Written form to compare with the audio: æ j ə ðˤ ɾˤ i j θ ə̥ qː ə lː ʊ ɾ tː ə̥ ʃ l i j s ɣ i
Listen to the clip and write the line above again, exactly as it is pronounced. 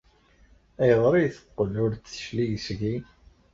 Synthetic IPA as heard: æ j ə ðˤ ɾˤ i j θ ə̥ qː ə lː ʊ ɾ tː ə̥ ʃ l i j s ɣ i